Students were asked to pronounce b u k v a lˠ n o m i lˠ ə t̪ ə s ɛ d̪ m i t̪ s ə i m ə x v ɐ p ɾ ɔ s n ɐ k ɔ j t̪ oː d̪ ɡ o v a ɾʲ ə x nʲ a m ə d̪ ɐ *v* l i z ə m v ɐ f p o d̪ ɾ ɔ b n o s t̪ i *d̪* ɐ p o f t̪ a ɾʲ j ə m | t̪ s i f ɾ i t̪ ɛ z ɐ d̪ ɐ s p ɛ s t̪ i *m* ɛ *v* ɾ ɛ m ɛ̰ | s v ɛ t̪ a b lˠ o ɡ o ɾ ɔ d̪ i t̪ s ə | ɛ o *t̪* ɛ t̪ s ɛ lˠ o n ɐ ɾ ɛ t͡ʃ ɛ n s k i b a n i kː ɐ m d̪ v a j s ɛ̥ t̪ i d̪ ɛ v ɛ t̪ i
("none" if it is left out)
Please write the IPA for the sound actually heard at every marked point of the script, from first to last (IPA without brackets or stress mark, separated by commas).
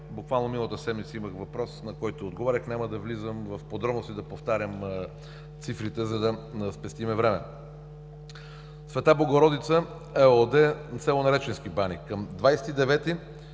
v, d̪, m, v, d̪